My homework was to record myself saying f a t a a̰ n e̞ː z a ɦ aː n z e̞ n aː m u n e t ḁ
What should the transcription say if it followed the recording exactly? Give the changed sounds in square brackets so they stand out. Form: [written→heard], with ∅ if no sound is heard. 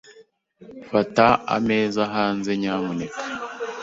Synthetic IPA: f a t a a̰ [n→m] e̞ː z a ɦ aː n z e̞ [n→ɲ] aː m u n e [t→k] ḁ